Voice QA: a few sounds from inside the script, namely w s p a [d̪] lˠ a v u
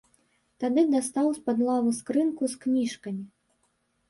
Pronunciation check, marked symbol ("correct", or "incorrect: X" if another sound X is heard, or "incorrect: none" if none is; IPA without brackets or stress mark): correct